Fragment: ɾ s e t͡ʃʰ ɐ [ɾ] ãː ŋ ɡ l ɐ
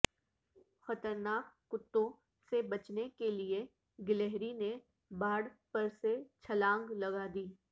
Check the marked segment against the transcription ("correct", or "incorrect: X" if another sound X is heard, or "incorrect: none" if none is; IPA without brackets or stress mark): incorrect: l